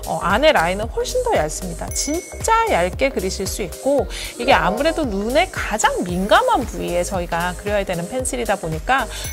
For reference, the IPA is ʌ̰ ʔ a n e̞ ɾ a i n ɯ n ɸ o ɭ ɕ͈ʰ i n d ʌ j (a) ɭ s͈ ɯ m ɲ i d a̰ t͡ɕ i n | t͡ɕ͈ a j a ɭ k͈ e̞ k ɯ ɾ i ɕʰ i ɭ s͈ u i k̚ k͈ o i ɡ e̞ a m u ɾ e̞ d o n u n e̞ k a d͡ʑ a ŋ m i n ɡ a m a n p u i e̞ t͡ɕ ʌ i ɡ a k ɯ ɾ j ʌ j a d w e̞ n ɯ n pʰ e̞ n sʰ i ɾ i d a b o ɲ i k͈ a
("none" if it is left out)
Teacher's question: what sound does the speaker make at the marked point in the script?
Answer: a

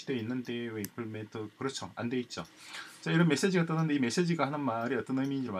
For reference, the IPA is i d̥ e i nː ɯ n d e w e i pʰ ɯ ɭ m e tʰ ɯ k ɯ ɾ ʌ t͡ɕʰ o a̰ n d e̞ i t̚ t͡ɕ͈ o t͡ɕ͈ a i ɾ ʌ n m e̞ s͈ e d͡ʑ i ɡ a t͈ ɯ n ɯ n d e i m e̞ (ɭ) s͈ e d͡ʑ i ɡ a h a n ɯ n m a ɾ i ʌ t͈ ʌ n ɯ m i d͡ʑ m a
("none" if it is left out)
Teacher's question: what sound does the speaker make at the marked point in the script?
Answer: none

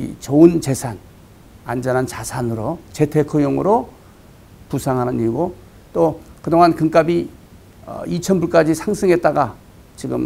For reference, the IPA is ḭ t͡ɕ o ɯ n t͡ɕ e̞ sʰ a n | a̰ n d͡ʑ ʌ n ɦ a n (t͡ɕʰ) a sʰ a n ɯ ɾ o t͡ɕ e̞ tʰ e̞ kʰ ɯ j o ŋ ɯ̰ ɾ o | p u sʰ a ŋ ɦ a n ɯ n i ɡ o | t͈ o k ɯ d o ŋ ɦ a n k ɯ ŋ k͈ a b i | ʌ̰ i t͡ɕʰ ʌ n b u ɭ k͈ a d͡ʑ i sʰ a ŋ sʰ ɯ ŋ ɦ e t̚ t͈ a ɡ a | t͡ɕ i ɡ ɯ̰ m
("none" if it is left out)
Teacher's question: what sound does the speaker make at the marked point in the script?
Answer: t͡ɕ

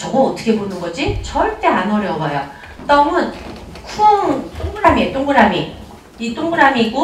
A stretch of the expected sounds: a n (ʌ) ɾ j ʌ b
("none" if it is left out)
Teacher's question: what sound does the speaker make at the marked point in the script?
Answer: ʌ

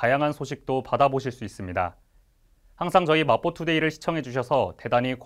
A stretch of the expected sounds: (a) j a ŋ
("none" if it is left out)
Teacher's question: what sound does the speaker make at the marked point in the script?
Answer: a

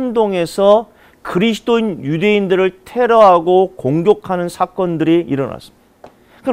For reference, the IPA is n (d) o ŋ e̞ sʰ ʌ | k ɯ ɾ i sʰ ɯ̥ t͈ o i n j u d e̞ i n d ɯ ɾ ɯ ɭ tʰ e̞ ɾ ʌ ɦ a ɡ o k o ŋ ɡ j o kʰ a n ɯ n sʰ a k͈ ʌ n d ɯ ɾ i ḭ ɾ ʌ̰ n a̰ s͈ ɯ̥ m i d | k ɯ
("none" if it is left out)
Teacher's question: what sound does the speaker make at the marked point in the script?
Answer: d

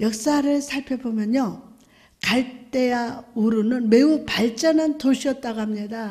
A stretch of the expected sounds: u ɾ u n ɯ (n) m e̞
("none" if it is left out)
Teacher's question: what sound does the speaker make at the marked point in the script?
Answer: n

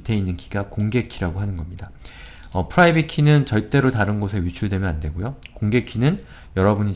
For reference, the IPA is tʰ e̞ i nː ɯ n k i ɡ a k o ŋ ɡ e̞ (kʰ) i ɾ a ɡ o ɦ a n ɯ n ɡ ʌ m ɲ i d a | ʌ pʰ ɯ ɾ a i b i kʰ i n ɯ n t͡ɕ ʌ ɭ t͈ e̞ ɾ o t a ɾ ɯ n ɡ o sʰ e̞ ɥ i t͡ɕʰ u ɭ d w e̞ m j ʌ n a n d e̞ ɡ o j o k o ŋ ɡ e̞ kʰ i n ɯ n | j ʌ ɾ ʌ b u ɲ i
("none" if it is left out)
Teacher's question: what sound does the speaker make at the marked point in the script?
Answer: kʰ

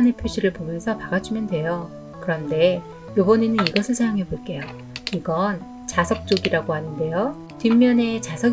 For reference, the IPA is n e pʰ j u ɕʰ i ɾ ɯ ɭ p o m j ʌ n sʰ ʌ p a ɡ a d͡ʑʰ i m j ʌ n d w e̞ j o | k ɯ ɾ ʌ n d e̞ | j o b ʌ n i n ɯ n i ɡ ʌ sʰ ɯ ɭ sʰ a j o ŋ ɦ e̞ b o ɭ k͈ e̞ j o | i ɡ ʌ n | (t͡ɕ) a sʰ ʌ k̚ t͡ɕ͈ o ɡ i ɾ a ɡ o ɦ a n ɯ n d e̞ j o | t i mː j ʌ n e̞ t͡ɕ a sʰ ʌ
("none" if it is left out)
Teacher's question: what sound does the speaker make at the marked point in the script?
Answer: t͡ɕ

